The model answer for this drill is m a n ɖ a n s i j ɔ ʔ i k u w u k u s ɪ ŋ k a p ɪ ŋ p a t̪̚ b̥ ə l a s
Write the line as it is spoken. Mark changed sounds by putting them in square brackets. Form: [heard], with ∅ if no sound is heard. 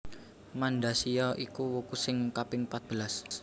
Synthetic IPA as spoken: m a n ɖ a [∅] s i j ɔ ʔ i k u w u k u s ɪ ŋ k a p ɪ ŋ p a t̪̚ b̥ ə l a s

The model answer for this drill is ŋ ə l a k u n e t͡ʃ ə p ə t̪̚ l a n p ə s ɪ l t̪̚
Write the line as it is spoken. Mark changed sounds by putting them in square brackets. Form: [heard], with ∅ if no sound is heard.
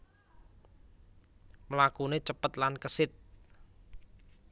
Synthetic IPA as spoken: [m] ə l a k u n e t͡ʃ ə p ə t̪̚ l a n [k] ə s ɪ [∅] t̪̚

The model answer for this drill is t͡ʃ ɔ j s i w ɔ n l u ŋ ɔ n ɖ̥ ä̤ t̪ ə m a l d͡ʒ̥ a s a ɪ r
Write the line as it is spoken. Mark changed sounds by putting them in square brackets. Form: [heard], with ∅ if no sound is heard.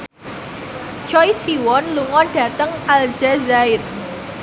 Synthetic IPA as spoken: t͡ʃ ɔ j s i w ɔ n l u ŋ ɔ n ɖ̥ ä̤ t̪ ə [ŋ] a l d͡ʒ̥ a [z] a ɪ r

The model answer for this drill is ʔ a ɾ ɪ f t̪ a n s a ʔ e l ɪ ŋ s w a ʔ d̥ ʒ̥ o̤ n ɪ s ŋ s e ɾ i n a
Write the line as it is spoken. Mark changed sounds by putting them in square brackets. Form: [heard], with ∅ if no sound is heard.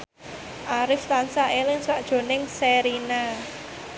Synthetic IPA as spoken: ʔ a ɾ ɪ f t̪ a n s a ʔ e l ɪ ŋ s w a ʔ d̥ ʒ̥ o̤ n ɪ [∅] ŋ s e ɾ i n a

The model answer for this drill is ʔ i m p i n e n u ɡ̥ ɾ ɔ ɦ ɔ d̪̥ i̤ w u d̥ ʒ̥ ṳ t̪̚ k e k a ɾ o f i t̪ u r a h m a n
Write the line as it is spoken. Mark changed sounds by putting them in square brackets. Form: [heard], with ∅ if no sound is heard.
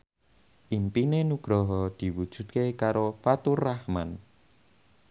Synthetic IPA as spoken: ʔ i m p i n e n u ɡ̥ ɾ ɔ ɦ ɔ d̪̥ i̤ w u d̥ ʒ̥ ṳ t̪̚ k e k a ɾ o f [a] t̪ u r a h m a n

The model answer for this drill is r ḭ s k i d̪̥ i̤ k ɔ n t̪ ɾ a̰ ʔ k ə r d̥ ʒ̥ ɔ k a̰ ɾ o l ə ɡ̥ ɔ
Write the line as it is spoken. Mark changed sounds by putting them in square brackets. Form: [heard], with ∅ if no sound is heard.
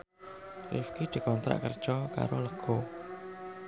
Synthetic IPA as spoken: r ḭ [f] k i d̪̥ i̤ k ɔ n t̪ ɾ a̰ ʔ k ə r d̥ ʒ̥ ɔ k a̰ ɾ o l ə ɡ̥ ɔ

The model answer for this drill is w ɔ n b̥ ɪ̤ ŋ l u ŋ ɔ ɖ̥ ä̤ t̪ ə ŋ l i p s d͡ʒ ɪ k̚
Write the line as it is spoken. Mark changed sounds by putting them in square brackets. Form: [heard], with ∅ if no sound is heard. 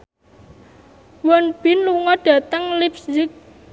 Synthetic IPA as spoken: w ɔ n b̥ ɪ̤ [n] l u ŋ ɔ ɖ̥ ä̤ t̪ ə ŋ l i p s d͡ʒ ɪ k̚

